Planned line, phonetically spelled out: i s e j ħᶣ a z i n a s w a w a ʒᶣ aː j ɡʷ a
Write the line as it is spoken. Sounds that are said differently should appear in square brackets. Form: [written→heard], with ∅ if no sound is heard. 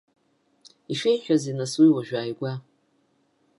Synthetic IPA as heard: i [s→ʃ] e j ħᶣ a z i n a s w [a→i] w a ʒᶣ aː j ɡʷ a